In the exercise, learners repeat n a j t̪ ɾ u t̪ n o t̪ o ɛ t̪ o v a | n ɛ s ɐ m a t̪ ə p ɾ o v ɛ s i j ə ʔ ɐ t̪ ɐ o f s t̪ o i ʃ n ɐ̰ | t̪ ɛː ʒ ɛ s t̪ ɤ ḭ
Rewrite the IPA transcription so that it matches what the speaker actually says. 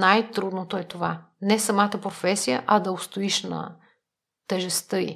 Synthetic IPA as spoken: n a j t̪ ɾ u d̪ n o t̪ o ɛ t̪ o v a | n ɛ s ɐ m a t̪ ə p ɾ o f ɛ s i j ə ʔ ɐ d̪ ɐ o s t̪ o i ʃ n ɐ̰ | t̪ ɛ ʒ ɛ s t̪ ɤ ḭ